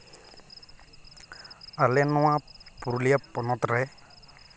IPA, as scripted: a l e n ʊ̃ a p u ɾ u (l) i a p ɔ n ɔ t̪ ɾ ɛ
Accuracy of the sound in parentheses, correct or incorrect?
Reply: correct